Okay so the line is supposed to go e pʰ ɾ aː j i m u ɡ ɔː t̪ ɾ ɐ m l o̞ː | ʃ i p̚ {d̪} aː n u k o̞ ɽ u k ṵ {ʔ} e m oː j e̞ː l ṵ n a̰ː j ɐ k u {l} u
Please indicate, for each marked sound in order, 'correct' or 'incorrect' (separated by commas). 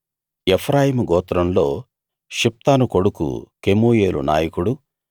incorrect, incorrect, incorrect